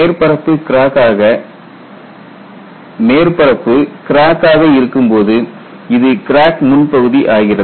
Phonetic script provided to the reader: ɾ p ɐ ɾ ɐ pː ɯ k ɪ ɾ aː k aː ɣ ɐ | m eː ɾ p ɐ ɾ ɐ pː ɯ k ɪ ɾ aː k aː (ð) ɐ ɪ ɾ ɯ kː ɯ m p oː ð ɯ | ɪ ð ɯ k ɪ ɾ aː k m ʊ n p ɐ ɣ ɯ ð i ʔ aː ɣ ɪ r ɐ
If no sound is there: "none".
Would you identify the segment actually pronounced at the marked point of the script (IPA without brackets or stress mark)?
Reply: ɣ